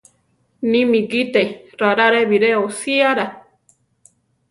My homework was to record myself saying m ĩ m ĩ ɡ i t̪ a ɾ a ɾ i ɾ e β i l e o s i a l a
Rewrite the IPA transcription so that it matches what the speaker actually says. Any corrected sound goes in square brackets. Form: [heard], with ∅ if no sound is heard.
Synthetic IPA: [n] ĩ m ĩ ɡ i t̪ [e] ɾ a ɾ [a] ɾ e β i [ɾ] e o s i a [ɾ] a